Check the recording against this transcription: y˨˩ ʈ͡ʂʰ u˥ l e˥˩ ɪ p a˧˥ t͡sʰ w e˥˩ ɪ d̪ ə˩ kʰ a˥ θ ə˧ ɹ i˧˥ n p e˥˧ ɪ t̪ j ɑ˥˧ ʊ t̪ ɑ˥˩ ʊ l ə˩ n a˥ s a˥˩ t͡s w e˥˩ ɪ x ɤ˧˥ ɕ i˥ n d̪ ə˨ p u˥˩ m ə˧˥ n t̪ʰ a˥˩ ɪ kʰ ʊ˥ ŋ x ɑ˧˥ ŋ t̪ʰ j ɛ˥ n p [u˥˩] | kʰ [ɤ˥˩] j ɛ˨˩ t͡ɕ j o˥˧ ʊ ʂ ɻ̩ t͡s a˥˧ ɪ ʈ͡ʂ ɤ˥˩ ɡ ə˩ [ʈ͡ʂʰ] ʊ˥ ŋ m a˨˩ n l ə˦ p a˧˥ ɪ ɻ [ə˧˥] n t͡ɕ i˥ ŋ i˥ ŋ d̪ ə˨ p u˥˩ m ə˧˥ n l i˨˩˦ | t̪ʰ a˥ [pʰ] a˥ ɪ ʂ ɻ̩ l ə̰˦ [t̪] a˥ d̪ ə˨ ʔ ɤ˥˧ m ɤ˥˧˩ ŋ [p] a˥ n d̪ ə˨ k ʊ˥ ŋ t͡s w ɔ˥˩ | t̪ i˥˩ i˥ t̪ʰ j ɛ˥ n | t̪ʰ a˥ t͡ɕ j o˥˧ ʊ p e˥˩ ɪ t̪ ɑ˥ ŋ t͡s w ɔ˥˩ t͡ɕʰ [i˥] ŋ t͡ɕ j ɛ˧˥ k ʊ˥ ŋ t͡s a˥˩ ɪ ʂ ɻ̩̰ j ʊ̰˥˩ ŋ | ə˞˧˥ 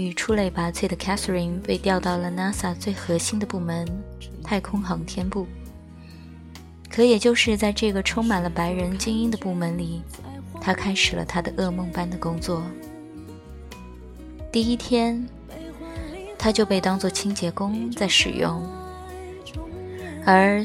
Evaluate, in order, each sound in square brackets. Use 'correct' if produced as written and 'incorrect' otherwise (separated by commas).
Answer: correct, incorrect, correct, correct, incorrect, incorrect, correct, correct